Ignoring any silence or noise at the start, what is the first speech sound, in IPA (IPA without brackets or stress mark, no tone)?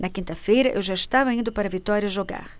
n